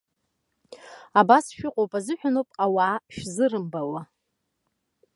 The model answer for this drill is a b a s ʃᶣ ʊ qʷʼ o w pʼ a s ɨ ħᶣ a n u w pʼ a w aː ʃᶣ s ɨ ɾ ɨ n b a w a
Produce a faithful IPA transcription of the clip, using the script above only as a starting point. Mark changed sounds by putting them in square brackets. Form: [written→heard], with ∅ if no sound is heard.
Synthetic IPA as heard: a b a s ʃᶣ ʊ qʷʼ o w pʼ a [s→z] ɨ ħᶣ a n [u→o] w pʼ a w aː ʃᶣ [s→z] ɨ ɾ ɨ [n→m] b a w a